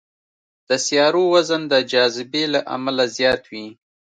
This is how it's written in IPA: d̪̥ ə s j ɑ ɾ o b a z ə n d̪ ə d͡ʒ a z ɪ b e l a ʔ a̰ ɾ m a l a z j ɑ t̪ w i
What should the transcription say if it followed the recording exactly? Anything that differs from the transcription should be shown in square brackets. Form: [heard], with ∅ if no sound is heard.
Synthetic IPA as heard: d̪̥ ə s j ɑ ɾ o [w] a z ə n d̪ ə d͡ʒ [ɑ] z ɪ b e l a ʔ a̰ [∅] m a l a z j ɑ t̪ w i

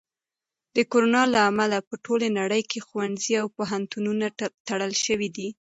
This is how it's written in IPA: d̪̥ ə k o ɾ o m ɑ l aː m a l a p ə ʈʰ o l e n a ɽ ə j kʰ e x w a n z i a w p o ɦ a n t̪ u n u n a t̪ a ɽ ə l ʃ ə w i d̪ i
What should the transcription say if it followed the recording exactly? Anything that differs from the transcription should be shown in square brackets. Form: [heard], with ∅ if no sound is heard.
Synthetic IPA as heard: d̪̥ ə k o ɾ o [n] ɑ l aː m a l a p ə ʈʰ o l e n a ɽ ə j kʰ e x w a n z i a w p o ɦ a n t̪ u n u n a t̪ a ɽ ə l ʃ ə w i d̪ i

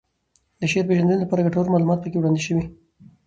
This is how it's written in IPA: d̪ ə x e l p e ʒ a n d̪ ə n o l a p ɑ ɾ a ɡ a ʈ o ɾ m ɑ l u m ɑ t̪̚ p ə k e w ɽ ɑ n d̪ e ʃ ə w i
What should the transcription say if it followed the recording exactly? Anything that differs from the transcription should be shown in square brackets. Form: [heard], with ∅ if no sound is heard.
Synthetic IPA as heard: d̪ ə [ʃ] e [ɾ] p e ʒ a n d̪ ə n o l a p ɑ ɾ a ɡ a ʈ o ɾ m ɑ l u m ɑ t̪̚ p ə k e w ɽ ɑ n d̪ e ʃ ə w i

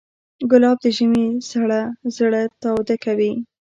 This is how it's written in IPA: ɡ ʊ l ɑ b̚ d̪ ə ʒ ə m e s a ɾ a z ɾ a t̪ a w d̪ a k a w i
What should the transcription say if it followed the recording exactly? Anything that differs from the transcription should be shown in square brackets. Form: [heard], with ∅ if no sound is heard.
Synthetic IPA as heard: ɡ ʊ l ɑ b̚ d̪ ə ʒ ə m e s a [ɽ] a z [ɽ] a t̪ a w d̪ a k a w i

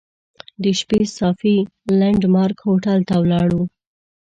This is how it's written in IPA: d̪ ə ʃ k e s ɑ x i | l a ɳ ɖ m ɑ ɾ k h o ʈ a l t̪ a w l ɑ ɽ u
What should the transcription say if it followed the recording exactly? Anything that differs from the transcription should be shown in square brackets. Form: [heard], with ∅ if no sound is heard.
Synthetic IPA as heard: d̪ ə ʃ [p] e s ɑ [f] i | l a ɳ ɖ m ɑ ɾ k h o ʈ a l t̪ a w l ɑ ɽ u

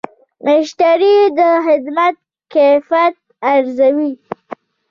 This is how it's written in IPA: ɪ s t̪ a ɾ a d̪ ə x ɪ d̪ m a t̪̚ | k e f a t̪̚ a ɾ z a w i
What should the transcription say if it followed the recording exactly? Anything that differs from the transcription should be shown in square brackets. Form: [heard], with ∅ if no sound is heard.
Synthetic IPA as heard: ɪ [ʃ] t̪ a ɾ [i] d̪ ə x ɪ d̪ m a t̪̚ | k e f a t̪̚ a ɾ z a w i

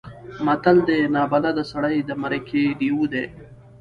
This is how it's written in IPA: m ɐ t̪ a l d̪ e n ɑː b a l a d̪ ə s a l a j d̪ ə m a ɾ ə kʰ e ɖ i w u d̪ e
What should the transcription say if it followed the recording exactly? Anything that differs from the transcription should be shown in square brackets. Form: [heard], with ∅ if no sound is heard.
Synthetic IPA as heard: m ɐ t̪ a l d̪ e n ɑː b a l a d̪ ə s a [ɽ] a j d̪ ə m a ɾ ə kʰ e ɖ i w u d̪ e

